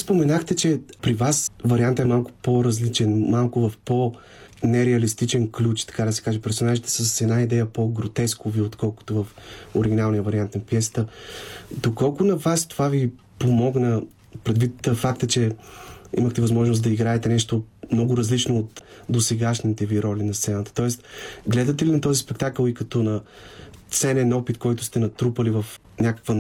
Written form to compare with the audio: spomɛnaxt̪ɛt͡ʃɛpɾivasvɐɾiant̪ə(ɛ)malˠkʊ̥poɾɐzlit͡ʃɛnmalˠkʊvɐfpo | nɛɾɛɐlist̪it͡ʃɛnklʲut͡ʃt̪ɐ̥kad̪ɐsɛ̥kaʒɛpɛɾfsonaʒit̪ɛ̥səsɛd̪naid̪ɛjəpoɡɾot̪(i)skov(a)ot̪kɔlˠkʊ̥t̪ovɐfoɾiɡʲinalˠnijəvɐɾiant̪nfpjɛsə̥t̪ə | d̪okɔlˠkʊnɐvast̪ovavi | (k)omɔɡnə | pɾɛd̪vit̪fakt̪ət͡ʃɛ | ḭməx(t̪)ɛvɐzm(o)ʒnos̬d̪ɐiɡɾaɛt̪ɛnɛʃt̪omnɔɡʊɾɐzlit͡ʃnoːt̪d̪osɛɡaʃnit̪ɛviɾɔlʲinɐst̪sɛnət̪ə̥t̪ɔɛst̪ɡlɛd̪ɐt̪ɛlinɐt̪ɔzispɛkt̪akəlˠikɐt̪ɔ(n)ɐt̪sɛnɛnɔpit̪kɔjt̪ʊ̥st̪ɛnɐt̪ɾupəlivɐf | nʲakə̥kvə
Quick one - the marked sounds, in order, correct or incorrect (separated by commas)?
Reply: correct, incorrect, incorrect, incorrect, correct, incorrect, correct